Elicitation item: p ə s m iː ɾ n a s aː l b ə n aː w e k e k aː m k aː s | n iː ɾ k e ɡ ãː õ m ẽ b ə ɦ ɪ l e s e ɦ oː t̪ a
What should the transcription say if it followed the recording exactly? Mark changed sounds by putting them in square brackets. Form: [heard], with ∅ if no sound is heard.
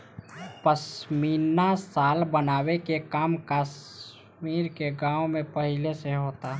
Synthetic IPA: p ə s m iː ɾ n a s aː l b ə n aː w e k e k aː m k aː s | [m] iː ɾ k e ɡ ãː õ m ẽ [p] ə ɦ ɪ l e s e ɦ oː t̪ a

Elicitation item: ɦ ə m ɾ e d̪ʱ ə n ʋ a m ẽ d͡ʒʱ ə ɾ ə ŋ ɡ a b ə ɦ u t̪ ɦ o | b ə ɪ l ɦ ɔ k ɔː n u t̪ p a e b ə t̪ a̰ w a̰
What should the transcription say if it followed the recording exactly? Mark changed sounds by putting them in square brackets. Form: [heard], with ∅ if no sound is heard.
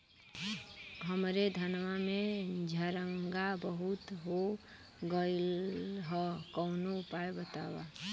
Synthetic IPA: ɦ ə m ɾ e d̪ʱ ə n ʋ a m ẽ d͡ʒʱ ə ɾ ə ŋ ɡ a b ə ɦ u t̪ ɦ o | [ɡ] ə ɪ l ɦ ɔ k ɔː n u [∅] p a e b ə t̪ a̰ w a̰

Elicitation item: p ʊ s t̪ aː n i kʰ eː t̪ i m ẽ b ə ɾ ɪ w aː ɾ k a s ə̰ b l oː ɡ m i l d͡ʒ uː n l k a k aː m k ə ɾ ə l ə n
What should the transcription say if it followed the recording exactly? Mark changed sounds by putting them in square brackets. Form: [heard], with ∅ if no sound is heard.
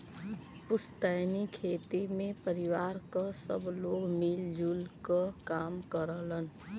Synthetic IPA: p ʊ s t̪ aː n i kʰ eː t̪ i m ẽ [p] ə ɾ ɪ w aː ɾ k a s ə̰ b l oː ɡ m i l d͡ʒ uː [∅] l k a k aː m k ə ɾ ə l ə n

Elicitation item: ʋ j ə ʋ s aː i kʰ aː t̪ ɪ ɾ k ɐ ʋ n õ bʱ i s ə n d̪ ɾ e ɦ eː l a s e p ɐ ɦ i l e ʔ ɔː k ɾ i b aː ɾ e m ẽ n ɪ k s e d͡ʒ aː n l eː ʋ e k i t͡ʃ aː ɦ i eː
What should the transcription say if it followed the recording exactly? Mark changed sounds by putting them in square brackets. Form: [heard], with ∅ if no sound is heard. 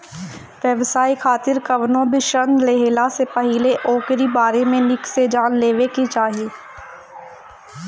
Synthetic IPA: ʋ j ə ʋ s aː i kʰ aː t̪ ɪ ɾ k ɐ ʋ n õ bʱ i [ʃ] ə n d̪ [l] e ɦ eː l a s e p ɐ ɦ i l e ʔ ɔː k ɾ i b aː ɾ e m ẽ n ɪ k s e d͡ʒ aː n l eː ʋ e k i t͡ʃ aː ɦ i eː

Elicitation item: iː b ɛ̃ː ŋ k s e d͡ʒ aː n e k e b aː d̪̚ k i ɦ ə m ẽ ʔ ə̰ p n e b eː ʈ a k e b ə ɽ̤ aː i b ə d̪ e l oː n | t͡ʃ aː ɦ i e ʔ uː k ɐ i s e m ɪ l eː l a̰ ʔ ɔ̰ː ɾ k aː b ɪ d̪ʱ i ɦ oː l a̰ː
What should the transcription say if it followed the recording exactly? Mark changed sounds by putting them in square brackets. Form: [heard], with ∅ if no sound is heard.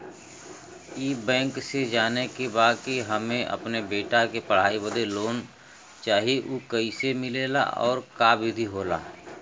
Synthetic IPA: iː b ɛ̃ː ŋ k s e d͡ʒ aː n e k e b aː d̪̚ k i ɦ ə m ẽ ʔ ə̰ p n e b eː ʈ a k e [p] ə ɽ̤ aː i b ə d̪ e l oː n | t͡ʃ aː ɦ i e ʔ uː k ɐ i s e m ɪ l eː l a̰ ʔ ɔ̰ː ɾ k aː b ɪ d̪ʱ i ɦ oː l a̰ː

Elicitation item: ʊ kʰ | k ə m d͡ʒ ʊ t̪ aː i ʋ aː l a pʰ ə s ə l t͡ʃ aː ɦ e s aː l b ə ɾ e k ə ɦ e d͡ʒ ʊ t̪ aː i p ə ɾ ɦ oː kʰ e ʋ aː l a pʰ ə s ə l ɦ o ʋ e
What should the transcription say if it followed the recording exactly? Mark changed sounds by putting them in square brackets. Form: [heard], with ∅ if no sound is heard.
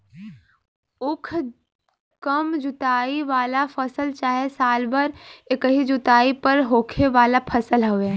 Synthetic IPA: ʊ kʰ | k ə m d͡ʒ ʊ t̪ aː i ʋ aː l a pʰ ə s ə l t͡ʃ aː ɦ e s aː l b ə ɾ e k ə ɦ [i] d͡ʒ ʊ t̪ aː i p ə ɾ ɦ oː kʰ e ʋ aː l a pʰ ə s ə l ɦ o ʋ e

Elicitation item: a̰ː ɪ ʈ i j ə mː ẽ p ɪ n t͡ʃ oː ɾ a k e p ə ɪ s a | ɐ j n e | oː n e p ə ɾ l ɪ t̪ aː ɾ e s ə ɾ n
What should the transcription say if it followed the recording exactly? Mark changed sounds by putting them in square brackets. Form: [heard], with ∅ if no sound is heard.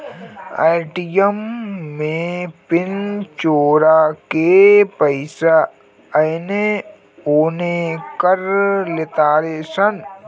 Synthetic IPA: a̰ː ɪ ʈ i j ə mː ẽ p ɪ n t͡ʃ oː ɾ a k e p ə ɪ s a | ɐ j n e | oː n e [k] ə ɾ l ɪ t̪ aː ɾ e s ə [∅] n

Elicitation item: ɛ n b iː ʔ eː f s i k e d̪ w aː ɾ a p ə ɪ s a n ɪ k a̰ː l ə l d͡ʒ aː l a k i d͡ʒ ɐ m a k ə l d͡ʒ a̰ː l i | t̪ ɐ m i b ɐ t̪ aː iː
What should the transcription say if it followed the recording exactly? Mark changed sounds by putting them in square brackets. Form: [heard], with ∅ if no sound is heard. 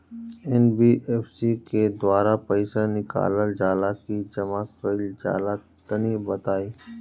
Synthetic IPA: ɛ n b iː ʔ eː f s i k e d̪ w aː ɾ a p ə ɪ s a n ɪ k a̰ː l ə l d͡ʒ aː l a k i d͡ʒ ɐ m a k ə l d͡ʒ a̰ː l [a] | t̪ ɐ [n] i b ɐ t̪ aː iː

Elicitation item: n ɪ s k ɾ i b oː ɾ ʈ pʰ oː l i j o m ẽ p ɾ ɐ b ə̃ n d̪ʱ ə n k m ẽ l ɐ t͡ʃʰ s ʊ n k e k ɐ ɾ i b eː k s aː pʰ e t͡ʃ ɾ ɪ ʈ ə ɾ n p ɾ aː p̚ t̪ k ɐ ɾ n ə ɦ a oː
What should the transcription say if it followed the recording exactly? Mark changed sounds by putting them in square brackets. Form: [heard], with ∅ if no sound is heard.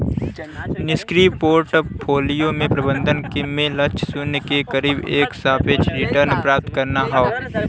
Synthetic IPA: n ɪ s k ɾ i [p] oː ɾ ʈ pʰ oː l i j o m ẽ p ɾ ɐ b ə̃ n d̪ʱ ə n k m ẽ l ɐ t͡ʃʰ s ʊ n k e k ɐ ɾ [iː] b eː k s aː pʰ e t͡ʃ ɾ ɪ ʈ ə ɾ n p ɾ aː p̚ t̪ k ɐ ɾ n [a] ɦ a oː

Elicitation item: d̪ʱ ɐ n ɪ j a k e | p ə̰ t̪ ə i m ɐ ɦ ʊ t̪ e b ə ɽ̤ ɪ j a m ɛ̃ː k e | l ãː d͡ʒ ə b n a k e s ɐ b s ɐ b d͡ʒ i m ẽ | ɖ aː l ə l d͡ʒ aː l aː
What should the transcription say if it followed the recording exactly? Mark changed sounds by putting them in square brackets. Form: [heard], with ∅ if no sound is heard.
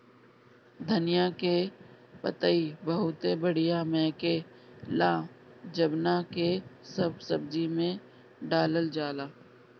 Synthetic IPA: d̪ʱ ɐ n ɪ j a k e | p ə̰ t̪ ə i [b] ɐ ɦ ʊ t̪ e b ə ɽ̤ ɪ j a m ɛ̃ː k e | l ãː d͡ʒ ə b n a k e s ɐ b s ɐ b d͡ʒ i m ẽ | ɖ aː l ə l d͡ʒ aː l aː

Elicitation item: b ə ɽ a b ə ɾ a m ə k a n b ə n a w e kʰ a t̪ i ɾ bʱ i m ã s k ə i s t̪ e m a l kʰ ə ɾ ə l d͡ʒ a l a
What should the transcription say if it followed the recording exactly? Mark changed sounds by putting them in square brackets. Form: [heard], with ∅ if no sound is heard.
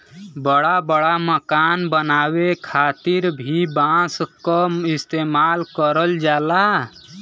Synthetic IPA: b ə ɽ a b ə [ɽ] a m ə k a n b ə n a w e kʰ a t̪ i ɾ bʱ i [b] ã s k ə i s t̪ e m a l [k] ə ɾ ə l d͡ʒ a l a

